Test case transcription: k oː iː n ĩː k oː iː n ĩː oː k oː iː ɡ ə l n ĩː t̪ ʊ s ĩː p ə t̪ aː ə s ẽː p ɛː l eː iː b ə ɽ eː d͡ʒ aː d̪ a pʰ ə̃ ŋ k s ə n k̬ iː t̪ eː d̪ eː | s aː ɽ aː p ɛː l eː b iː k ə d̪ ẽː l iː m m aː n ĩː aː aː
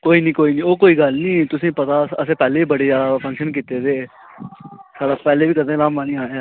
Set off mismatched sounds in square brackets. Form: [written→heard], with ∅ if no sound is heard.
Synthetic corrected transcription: k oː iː n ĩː k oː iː n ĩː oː k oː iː ɡ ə l n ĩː t̪ ʊ s ĩː p ə t̪ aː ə s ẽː p ɛː l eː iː b ə ɽ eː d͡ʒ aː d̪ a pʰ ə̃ ŋ k [s→ʃ] ə n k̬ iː t̪ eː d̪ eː | s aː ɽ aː p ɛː l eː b iː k ə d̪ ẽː l [iː→aː] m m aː n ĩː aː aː